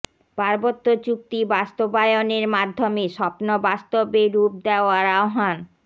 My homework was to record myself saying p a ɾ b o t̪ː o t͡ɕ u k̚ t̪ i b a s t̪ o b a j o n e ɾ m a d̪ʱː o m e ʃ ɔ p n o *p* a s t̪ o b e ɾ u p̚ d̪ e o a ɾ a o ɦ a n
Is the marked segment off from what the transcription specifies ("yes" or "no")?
yes